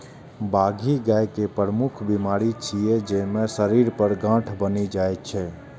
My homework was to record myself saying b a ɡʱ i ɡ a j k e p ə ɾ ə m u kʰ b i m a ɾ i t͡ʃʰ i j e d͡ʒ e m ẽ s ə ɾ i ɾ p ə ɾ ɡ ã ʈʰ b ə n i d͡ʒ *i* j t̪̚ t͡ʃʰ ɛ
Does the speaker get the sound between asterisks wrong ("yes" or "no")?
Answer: yes